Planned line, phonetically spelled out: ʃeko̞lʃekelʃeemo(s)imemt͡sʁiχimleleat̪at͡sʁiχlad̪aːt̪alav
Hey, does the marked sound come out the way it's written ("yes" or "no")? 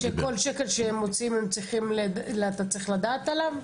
no